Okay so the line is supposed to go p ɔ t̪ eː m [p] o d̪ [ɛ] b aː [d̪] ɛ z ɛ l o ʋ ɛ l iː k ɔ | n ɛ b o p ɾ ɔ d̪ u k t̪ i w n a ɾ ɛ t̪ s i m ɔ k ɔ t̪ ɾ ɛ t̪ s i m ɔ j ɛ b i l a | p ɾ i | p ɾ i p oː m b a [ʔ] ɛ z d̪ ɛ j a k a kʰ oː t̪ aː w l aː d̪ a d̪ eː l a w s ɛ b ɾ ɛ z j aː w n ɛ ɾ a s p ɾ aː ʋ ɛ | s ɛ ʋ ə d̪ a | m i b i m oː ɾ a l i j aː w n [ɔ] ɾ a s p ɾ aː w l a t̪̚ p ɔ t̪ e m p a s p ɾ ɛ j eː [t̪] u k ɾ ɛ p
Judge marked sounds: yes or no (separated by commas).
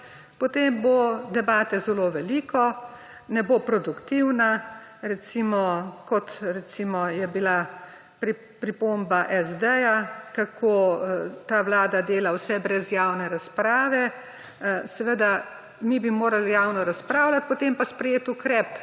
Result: no, yes, no, yes, yes, yes